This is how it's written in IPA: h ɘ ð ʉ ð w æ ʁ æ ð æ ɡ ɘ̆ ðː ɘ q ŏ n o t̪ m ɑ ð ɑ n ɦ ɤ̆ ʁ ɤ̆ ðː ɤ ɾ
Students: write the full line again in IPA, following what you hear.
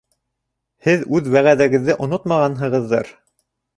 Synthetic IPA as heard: h ɘ ð ʉ ð w æ ʁ æ ð æ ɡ ɘ̆ ðː ɘ ʔ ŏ n o t̪ m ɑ ʁ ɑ n ɦ ɤ̆ ʁ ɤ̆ ðː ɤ ɾ